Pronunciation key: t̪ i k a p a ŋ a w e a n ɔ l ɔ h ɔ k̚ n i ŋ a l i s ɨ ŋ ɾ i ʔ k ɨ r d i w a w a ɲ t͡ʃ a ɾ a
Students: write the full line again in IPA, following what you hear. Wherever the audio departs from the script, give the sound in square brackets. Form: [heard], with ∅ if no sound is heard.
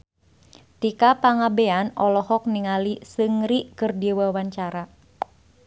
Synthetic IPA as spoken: t̪ i k a p a ŋ a [b] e a n ɔ l ɔ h ɔ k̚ n i ŋ a l i s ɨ ŋ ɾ i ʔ k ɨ r d i w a w a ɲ t͡ʃ a ɾ a

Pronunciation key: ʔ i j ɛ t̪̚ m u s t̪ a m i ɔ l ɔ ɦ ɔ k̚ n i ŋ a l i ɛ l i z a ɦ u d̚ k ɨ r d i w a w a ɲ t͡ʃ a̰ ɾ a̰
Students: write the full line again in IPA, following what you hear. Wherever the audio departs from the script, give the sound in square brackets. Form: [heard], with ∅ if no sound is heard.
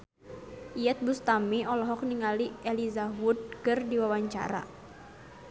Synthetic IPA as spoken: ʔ i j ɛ t̪̚ [b] u s t̪ a m i ɔ l ɔ ɦ ɔ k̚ n i ŋ a l i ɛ l i z a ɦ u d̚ k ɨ r d i w a w a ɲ t͡ʃ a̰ ɾ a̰

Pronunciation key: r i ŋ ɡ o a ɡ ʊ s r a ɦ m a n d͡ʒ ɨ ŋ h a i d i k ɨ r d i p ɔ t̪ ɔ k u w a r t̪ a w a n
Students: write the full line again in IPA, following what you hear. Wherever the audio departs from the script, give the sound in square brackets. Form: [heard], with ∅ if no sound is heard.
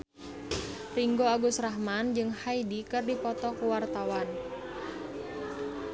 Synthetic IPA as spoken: r i ŋ ɡ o a ɡ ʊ s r a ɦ m a n d͡ʒ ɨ ŋ h a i d i k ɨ r d i p ɔ t̪ ɔ k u w a r t̪ a w a n

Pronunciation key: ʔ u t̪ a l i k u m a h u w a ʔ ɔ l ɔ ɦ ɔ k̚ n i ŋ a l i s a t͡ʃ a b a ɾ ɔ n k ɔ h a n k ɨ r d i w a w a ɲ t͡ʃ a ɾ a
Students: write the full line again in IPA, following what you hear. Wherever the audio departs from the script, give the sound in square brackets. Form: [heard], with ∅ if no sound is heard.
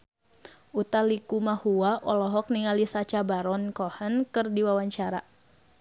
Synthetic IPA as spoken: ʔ u t̪ a l i k u m a h u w a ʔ ɔ l ɔ ɦ ɔ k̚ n i ŋ a l i s a t͡ʃ a b a ɾ ɔ n k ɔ h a n k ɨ r d i w a w a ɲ t͡ʃ a ɾ a

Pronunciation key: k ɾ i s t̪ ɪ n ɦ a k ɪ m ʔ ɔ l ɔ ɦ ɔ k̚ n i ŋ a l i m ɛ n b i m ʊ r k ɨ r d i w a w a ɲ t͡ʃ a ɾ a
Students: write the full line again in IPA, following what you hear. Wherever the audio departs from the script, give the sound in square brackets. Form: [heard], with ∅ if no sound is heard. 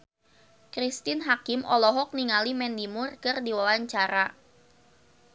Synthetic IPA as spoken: k ɾ i s t̪ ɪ n ɦ a k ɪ m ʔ ɔ l ɔ ɦ ɔ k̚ n i ŋ a l i m ɛ n [d] i m ʊ r k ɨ r d i w a w a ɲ t͡ʃ a ɾ a

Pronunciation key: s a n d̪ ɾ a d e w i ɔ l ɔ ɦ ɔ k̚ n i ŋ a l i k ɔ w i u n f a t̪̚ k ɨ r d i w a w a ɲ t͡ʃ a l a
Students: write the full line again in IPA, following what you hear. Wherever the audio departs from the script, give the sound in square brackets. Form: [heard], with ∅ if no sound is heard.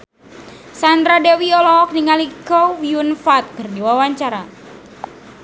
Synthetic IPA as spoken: s a n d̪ ɾ a d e w i ɔ l ɔ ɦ ɔ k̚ n i ŋ a l i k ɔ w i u n f a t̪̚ k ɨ r d i w a w a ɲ t͡ʃ a [ɾ] a

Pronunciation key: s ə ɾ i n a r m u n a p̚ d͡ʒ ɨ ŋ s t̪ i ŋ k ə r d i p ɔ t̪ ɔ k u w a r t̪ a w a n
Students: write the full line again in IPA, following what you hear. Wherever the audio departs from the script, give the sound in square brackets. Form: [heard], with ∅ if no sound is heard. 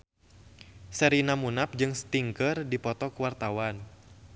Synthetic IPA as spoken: s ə ɾ i n a [∅] m u n a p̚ d͡ʒ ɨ ŋ s t̪ i ŋ k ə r d i p ɔ t̪ ɔ k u w a r t̪ a w a n

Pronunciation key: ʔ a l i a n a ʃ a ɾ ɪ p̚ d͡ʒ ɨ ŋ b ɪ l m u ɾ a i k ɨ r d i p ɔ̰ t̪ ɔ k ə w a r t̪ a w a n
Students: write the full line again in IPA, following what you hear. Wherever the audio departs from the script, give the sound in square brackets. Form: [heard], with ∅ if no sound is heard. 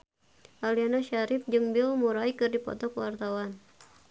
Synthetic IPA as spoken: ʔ a l i a n a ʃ a ɾ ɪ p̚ d͡ʒ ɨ ŋ b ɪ l m u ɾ a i k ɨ r d i p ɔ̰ t̪ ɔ k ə w a r t̪ a w a n

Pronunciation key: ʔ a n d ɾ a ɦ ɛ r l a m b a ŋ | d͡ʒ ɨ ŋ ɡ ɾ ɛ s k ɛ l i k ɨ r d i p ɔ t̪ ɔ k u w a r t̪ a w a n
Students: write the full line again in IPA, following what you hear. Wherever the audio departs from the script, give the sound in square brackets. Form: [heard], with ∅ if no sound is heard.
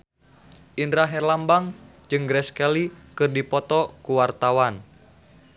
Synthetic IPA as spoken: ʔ [i] n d ɾ a ɦ ɛ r l a m b a ŋ | d͡ʒ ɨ ŋ ɡ ɾ ɛ s k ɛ l i k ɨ r d i p ɔ t̪ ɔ k u w a r t̪ a w a n

